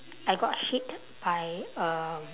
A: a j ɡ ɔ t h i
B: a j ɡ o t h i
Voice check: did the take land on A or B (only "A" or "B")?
A